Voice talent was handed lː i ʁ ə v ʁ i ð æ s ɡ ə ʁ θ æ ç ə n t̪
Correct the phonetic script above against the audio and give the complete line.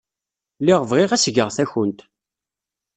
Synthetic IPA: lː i ʁ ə v ʁ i ʁ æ s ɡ ə ʁ θ æ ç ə n t̪